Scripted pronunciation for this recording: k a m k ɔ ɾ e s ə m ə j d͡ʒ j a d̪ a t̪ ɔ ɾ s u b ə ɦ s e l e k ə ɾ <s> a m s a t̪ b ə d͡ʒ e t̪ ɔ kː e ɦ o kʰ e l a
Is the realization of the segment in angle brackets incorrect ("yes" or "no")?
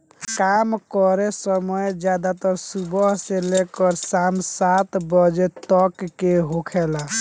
no